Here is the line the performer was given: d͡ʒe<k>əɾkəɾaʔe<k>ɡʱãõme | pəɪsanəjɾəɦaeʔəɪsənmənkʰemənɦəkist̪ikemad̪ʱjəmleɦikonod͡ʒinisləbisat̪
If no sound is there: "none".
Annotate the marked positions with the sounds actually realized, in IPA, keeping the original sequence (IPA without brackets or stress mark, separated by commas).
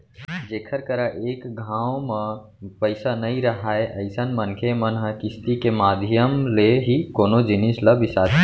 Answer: kʰ, k